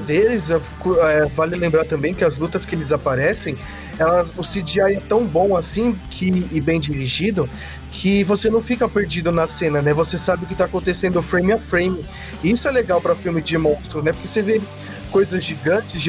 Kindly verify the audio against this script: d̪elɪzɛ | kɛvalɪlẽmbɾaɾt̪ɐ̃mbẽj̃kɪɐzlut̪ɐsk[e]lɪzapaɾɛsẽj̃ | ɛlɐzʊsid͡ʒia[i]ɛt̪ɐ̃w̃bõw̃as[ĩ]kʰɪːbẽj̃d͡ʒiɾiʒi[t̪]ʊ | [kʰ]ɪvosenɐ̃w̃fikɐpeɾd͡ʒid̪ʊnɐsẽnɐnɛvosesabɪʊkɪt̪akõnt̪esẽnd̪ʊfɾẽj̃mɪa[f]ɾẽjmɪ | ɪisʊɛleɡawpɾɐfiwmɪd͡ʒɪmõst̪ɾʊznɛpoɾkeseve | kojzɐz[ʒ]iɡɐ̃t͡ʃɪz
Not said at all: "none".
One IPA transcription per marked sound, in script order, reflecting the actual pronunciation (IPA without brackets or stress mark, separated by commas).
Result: e, j, ĩ, d̪, kʰ, f, ʒ